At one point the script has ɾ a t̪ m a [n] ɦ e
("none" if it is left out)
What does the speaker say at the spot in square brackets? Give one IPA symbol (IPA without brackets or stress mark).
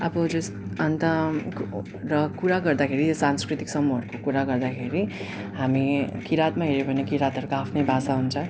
none